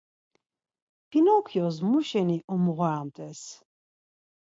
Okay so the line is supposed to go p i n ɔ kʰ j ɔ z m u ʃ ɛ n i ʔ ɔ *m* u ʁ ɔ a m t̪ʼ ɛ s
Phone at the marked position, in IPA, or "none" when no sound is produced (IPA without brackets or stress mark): m